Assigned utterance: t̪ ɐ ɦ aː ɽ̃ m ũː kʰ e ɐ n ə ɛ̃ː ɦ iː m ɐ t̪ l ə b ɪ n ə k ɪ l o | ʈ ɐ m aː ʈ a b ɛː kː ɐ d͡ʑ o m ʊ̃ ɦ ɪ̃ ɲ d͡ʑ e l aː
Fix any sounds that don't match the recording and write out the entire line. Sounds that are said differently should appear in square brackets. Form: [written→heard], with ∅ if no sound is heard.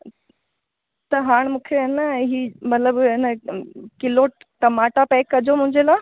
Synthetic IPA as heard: t̪ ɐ ɦ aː ɽ̃ m ũː kʰ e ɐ n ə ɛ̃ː ɦ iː m ɐ t̪ l ə b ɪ n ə k ɪ l o | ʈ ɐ m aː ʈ a [b→p] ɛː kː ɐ d͡ʑ o m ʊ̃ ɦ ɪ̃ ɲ d͡ʑ e l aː